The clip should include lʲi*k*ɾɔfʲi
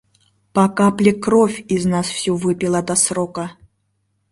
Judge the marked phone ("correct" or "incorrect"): correct